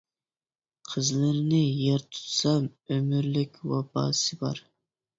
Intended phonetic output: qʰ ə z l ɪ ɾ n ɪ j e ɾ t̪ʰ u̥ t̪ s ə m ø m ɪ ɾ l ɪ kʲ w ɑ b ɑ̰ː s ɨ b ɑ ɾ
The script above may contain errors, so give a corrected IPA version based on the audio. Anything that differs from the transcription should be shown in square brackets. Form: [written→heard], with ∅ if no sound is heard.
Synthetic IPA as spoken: qʰ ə z l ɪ ɾ n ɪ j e ɾ t̪ʰ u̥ t̪ s [ə→ɑ] m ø m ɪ ɾ l ɪ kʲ w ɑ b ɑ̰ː s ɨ b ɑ ɾ